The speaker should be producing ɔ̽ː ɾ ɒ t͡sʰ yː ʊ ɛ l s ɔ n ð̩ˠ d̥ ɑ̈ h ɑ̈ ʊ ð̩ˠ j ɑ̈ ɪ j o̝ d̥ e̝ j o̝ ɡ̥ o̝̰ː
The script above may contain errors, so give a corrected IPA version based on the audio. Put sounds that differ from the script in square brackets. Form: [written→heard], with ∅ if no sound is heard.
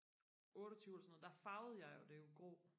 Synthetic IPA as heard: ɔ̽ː ɾ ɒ t͡sʰ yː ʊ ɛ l s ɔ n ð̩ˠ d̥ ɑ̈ [h→f] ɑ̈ ʊ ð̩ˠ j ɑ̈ ɪ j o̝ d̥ e̝ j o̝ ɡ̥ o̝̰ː